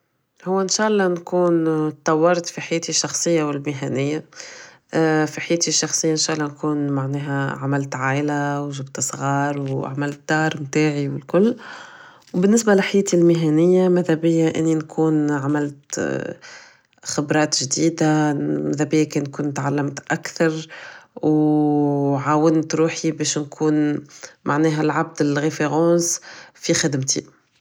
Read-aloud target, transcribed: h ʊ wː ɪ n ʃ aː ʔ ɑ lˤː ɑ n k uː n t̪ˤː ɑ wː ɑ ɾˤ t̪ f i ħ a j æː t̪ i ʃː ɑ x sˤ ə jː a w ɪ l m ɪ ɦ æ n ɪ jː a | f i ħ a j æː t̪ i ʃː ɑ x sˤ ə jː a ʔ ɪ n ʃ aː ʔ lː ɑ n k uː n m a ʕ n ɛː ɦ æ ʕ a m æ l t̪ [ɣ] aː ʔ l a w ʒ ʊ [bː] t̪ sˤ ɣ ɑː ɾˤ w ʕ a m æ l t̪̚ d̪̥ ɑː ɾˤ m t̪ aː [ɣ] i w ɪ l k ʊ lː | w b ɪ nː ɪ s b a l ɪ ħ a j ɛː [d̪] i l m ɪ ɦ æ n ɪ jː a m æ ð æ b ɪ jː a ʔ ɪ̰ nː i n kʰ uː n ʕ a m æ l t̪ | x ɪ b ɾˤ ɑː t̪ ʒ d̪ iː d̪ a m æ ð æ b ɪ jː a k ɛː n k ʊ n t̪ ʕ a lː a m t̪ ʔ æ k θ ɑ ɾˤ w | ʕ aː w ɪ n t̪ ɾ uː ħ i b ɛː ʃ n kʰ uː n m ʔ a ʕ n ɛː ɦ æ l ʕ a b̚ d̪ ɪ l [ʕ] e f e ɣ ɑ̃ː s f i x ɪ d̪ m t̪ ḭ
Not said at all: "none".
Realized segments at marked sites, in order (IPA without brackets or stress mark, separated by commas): ʕ, b, ʕ, t̪, ɣ